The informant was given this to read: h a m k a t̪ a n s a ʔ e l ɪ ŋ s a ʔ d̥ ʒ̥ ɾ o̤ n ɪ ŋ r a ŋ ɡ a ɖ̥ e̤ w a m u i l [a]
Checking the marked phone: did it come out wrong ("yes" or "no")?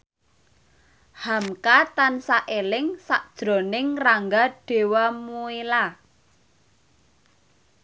no